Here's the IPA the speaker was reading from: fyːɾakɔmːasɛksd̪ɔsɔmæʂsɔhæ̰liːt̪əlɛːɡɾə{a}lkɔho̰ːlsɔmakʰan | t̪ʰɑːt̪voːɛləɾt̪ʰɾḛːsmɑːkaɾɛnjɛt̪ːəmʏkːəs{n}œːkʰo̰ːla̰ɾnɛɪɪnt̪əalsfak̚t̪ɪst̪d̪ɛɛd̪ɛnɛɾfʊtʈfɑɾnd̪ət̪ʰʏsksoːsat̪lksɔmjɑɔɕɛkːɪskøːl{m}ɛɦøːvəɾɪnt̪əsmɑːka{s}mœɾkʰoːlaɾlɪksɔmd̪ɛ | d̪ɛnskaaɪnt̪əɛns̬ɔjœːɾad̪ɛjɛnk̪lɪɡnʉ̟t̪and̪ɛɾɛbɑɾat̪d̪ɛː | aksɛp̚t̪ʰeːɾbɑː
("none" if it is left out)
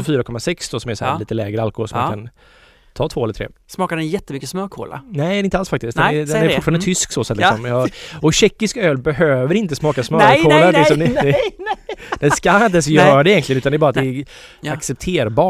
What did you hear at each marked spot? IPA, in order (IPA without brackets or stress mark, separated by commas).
a, m, b, s